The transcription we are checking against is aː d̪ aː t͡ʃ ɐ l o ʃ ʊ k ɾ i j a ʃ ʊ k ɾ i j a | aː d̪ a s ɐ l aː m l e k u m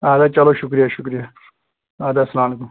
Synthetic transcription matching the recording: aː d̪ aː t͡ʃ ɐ l o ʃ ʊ k ɾ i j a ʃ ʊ k ɾ i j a | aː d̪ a s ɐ l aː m l e k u m